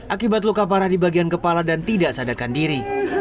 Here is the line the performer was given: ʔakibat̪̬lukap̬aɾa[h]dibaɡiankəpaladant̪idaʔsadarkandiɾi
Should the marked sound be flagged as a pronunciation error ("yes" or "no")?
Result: no